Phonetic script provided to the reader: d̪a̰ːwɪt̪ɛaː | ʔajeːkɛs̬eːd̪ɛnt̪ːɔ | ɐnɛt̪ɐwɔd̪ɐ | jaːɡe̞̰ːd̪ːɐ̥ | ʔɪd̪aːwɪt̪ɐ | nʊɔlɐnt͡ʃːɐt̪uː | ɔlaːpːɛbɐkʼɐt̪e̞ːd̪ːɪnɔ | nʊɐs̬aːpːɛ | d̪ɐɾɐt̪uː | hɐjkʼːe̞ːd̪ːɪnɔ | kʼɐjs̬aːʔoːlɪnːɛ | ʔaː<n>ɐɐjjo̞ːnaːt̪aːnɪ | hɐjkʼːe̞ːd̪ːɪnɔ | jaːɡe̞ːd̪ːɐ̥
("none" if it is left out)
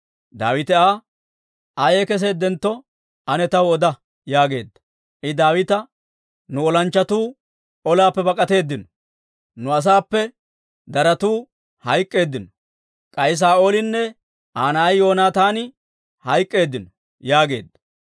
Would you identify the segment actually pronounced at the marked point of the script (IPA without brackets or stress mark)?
n